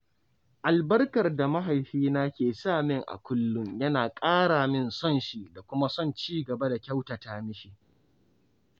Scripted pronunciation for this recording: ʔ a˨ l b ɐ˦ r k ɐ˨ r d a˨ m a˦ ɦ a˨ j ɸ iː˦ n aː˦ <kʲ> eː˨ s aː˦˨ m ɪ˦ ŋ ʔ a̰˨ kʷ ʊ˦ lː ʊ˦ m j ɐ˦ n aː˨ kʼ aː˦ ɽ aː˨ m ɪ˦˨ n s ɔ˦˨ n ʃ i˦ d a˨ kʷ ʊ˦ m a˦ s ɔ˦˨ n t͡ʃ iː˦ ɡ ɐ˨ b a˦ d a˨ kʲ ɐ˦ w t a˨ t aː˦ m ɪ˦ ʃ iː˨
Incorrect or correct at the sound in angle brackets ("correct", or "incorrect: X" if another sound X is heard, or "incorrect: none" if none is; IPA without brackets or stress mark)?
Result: correct